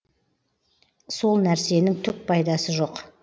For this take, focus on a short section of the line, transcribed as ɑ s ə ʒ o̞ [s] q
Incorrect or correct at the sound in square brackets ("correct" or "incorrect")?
incorrect